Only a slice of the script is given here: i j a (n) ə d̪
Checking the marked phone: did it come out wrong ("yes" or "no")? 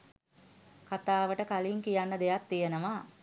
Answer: yes